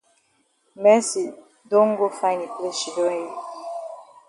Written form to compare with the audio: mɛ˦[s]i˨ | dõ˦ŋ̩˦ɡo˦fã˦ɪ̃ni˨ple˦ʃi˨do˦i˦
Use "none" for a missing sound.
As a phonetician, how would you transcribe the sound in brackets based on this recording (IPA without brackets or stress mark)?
s